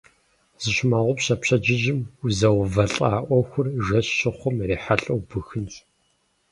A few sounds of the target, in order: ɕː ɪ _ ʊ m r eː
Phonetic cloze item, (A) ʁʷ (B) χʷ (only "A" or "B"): B